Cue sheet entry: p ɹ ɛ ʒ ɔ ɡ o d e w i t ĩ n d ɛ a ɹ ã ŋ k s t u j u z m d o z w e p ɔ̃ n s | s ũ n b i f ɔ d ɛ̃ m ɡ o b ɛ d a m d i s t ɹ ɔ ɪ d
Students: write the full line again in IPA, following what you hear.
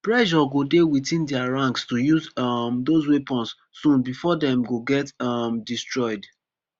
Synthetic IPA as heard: p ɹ ɛ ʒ ɔ ɡ o d e w i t ĩ n d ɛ a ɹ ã ŋ k s t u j u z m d o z w e p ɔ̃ n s | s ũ n b i f ɔ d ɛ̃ m ɡ o ɡ ɛ t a m d i s t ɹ ɔ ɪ d